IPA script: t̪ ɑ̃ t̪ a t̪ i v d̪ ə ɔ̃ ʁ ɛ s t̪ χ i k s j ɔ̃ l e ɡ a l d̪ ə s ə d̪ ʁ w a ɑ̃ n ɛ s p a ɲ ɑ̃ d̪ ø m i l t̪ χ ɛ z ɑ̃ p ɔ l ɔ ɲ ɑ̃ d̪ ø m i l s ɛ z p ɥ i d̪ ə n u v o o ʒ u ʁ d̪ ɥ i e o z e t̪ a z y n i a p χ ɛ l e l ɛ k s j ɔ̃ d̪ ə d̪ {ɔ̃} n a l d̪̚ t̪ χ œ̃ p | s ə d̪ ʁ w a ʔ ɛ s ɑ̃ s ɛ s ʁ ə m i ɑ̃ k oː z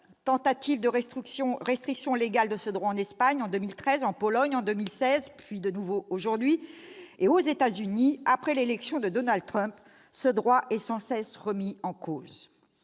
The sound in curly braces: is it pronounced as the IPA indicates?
no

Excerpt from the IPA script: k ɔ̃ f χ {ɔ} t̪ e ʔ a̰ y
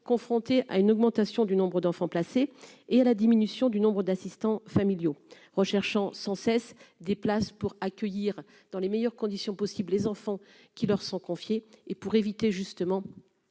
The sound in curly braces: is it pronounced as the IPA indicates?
no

